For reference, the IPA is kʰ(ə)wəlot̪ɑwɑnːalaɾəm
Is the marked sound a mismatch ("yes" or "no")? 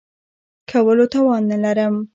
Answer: yes